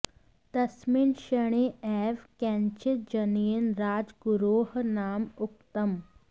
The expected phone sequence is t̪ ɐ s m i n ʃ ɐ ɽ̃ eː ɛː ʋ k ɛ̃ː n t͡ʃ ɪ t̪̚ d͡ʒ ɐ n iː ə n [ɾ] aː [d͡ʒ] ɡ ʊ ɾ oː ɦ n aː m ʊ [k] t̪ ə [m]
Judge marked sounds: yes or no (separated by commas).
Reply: yes, yes, yes, yes